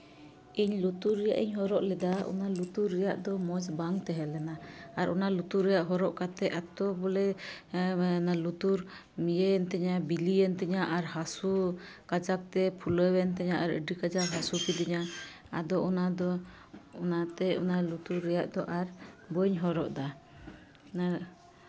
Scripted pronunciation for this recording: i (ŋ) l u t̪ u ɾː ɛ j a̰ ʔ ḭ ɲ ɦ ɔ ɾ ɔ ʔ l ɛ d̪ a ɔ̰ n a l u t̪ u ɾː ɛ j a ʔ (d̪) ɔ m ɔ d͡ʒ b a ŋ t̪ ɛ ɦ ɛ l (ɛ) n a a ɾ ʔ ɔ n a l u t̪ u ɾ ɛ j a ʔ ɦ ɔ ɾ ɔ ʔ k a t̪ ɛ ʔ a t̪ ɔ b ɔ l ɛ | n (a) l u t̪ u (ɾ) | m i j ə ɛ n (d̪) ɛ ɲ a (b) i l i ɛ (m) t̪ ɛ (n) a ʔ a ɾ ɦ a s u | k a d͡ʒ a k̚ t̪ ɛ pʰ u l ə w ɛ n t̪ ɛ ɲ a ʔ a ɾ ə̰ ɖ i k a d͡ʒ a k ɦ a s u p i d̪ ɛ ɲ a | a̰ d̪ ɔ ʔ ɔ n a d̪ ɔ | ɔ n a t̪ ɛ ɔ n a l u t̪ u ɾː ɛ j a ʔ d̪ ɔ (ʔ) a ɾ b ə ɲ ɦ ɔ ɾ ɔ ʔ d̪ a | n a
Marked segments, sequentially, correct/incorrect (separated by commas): incorrect, correct, correct, correct, correct, incorrect, correct, incorrect, incorrect, correct